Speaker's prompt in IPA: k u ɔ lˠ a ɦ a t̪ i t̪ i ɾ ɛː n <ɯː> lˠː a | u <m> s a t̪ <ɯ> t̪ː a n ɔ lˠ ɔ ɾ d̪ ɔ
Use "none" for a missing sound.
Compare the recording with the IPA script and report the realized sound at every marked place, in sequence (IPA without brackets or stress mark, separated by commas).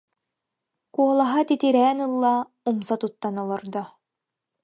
ɯ, m, u